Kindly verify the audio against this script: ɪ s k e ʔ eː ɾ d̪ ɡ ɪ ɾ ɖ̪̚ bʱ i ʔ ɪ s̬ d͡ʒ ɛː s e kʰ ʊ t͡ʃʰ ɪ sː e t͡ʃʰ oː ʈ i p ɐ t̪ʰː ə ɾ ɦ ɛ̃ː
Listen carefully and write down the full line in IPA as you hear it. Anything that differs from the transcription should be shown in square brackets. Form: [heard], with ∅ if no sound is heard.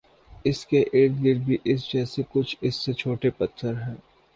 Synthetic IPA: ɪ s k e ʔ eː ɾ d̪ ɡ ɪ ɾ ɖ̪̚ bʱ i ʔ ɪ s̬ d͡ʒ ɛː s e [k] ʊ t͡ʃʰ ɪ sː e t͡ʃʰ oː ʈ [e] p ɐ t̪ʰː ə ɾ ɦ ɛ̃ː